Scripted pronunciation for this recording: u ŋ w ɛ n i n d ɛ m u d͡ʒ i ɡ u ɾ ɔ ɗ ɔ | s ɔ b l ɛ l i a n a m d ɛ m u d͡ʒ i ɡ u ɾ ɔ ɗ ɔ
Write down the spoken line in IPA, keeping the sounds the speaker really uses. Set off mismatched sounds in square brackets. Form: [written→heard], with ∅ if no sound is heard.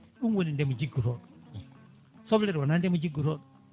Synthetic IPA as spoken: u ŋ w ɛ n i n d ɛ m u d͡ʒ i ɡ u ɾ ɔ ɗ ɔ | s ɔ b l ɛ [l→ɾ] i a n a [m→n] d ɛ m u d͡ʒ i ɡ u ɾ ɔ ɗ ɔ